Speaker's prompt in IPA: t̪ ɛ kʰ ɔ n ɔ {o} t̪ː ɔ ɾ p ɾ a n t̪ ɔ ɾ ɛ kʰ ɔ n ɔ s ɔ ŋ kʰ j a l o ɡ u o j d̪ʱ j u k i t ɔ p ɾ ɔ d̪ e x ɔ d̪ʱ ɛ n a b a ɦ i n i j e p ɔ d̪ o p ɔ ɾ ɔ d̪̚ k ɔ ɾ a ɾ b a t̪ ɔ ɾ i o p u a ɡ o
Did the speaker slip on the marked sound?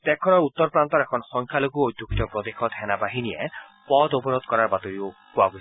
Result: yes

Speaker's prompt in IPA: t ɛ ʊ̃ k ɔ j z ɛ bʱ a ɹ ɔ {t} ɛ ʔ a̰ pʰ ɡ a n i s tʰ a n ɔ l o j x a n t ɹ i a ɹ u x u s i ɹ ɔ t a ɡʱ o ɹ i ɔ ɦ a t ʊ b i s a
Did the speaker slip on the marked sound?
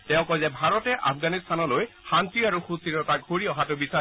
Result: no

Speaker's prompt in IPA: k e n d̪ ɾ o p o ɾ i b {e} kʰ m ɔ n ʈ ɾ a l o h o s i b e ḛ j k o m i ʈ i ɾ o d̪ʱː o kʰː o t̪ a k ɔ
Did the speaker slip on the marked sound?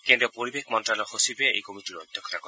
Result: no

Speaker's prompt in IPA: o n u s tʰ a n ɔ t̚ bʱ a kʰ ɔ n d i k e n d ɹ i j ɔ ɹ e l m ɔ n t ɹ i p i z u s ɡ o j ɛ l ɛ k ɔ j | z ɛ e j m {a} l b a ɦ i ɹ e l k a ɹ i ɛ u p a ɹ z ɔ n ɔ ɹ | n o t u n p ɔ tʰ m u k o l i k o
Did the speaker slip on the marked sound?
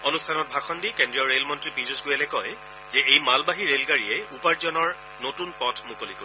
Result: no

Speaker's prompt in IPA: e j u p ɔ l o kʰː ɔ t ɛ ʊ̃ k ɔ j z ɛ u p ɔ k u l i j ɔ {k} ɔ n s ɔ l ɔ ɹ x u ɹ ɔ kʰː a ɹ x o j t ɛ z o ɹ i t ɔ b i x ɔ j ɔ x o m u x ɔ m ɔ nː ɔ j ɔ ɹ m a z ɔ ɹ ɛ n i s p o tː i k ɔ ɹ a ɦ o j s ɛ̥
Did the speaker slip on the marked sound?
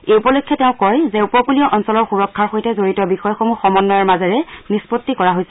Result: yes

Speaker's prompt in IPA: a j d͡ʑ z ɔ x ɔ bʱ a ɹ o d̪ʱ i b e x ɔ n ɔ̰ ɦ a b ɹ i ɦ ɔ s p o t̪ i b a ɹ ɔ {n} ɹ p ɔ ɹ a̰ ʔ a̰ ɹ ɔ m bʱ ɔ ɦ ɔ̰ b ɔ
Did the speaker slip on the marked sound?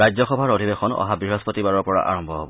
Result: yes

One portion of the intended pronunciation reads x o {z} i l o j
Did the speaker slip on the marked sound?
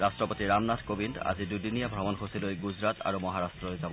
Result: yes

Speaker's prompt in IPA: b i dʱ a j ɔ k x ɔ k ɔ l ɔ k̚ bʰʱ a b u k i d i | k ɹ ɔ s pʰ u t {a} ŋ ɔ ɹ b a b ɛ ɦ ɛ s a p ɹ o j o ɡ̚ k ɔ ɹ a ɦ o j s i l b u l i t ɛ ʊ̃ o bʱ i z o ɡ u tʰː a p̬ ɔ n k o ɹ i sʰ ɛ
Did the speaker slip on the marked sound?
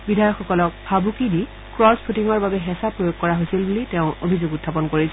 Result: yes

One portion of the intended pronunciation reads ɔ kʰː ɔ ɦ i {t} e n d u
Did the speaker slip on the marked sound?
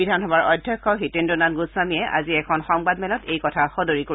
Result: no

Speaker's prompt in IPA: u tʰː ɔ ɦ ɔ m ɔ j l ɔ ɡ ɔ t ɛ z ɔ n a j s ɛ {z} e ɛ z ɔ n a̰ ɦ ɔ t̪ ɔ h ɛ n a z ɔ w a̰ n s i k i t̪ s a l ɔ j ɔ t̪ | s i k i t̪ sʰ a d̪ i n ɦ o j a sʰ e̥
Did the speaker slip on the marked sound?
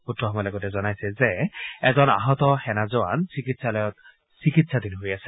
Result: no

